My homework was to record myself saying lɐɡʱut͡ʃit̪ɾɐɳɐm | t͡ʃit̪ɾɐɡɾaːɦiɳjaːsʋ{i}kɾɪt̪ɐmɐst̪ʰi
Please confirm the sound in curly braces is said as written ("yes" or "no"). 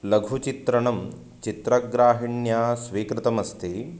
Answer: no